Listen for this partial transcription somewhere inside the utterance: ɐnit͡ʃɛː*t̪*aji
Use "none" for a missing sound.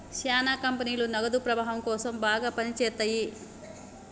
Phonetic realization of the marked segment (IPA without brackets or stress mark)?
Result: t̪